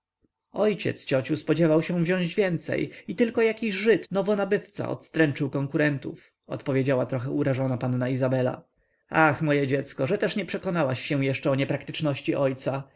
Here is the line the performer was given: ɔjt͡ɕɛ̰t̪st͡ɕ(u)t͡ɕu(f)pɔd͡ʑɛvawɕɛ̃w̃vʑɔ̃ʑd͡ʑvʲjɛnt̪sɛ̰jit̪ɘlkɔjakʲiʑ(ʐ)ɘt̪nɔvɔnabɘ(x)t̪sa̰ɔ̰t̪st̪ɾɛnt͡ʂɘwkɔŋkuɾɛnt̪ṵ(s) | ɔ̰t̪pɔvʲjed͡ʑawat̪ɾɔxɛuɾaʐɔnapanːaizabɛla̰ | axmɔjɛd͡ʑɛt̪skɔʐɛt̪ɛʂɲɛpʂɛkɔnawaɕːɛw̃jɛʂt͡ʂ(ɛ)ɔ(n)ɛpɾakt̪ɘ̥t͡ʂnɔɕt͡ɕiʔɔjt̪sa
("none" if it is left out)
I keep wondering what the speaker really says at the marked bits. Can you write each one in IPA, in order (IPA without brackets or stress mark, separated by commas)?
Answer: ɔ, s, ʐ, f, f, ɛ, ɲ